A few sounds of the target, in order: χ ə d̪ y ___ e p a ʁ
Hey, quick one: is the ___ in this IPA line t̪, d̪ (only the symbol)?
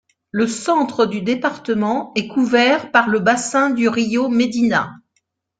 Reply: d̪